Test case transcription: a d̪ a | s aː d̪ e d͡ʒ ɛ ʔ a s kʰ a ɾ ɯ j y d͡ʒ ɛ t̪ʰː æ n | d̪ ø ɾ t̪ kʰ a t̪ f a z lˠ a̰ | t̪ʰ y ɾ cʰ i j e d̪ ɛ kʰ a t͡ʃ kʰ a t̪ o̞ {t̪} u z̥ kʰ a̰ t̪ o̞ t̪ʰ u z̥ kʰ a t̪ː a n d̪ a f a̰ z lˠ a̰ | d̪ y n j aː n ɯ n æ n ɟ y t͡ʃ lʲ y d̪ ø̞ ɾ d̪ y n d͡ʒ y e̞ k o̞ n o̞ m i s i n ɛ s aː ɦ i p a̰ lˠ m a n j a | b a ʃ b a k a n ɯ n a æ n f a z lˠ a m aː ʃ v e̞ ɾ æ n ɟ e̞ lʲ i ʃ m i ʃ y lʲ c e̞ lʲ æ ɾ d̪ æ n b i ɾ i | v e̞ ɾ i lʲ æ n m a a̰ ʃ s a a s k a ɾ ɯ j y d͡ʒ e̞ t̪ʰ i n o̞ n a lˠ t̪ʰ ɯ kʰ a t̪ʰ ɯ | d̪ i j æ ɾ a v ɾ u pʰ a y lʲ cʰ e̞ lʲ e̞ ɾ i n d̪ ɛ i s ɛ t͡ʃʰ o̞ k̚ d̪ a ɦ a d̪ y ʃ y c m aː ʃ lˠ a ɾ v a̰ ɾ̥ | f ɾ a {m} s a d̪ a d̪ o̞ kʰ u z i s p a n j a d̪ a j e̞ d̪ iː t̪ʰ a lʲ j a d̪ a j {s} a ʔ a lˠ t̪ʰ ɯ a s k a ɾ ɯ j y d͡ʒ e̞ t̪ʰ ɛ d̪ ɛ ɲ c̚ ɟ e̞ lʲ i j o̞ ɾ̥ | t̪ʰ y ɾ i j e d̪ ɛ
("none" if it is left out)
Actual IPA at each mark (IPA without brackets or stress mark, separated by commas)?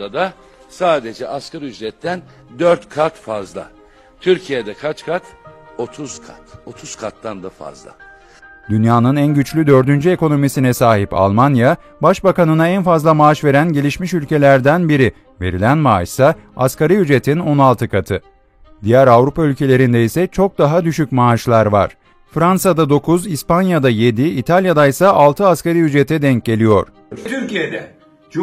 t̪ʰ, n, s